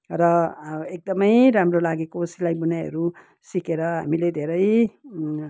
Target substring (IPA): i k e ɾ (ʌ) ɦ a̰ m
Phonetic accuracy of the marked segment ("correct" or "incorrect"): correct